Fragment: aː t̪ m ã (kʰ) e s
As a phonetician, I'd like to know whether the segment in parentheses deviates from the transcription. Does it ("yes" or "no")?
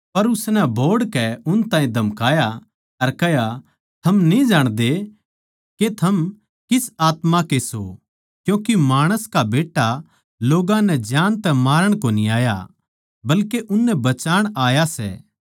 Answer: yes